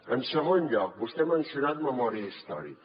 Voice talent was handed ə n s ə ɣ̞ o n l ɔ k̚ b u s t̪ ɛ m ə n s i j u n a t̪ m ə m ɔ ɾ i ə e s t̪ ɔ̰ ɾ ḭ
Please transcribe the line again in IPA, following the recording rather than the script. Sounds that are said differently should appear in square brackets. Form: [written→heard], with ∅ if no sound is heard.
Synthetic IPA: ə n s ə ɣ̞ o n [l→ʎ] ɔ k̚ b u s t̪ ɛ m ə n s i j u n a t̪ m ə m ɔ ɾ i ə [e→i] s t̪ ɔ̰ ɾ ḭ